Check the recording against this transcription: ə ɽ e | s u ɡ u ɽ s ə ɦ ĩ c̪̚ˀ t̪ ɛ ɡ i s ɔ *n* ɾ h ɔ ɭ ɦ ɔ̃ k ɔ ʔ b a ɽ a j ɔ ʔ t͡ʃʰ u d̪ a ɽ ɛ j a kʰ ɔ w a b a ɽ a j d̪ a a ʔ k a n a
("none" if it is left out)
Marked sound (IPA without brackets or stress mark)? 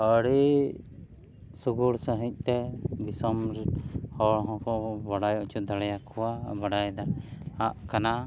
m